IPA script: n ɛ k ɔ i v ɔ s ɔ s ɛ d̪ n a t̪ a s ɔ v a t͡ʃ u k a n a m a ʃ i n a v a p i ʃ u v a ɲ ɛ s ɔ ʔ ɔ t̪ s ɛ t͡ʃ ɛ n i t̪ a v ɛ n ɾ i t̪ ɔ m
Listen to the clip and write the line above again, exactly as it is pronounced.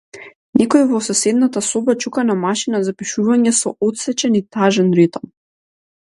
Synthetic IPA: n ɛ k ɔ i v ɔ s ɔ s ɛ d̪ n a t̪ a s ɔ b a t͡ʃ u k a n a m a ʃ i n a z a p i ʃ u v a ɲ ɛ s ɔ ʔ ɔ t̪ s ɛ t͡ʃ ɛ n i t̪ a ʒ ɛ n ɾ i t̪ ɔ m